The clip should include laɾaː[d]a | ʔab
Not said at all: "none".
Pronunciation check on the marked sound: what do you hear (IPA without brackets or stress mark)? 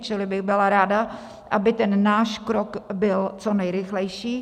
d